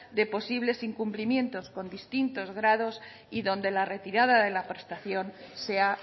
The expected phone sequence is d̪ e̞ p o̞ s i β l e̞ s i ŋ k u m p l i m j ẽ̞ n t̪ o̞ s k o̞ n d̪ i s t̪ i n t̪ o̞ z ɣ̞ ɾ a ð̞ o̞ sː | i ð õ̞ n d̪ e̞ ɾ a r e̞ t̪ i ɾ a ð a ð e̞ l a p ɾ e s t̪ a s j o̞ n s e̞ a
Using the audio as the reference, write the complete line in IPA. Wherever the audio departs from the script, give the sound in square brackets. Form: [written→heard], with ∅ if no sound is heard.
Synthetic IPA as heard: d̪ e̞ p o̞ s i β l e̞ s i ŋ k u m p l i m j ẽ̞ n t̪ o̞ s k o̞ n d̪ i s t̪ i n t̪ o̞ z ɣ̞ ɾ a ð̞ o̞ [sː→s] | i ð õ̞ n d̪ e̞ [ɾ→l] a r e̞ t̪ i ɾ a ð a ð e̞ l a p ɾ e s t̪ a [s→θ] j o̞ n s e̞ a